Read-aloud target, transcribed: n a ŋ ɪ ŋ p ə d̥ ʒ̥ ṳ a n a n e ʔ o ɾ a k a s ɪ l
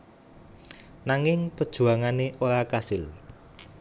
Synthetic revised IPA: n a ŋ ɪ ŋ p ə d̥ ʒ̥ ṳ a ŋ a n e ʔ o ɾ a k a s ɪ l